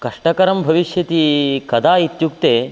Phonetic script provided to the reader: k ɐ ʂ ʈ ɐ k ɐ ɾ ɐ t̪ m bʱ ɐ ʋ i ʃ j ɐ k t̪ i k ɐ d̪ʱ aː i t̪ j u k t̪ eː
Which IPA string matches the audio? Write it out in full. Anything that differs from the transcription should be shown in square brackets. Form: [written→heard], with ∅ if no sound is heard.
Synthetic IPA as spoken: k ɐ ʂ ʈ ɐ k ɐ ɾ ɐ [t̪→∅] m bʱ ɐ ʋ i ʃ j ɐ [k→∅] t̪ i k ɐ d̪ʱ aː i t̪ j u k t̪ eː